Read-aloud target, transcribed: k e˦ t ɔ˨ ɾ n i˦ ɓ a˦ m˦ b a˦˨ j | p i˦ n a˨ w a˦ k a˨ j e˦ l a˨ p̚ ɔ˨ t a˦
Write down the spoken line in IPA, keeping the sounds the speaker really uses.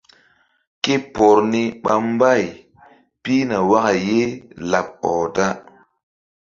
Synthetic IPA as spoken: k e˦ p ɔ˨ ɾ n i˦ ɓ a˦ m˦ b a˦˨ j | p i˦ n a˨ w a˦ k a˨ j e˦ l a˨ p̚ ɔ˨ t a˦